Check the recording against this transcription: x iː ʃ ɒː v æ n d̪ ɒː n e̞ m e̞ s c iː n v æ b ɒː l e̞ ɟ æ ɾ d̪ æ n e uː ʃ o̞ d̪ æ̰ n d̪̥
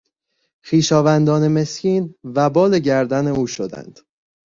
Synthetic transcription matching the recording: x iː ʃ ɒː v æ n d̪ ɒː n e̞ m e̞ s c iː n v æ b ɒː l e̞ ɟ æ ɾ d̪ æ n e uː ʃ o̞ d̪ æ̰ n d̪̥